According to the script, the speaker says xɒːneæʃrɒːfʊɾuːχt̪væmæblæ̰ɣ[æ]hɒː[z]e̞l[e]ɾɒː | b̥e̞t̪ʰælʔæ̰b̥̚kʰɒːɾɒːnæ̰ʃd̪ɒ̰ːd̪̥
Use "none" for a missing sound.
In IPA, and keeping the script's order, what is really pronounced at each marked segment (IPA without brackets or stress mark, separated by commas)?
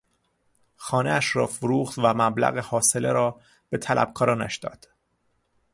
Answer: e, s, e